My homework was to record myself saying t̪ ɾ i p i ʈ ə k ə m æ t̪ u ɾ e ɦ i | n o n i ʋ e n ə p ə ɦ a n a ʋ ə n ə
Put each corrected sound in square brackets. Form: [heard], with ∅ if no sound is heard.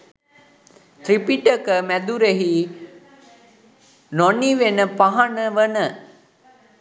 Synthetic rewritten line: t̪ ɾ i p i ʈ ə k ə m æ [d̪] u ɾ e ɦ i | n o n i ʋ e n ə p [a] ɦ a n [ə] ʋ ə n ə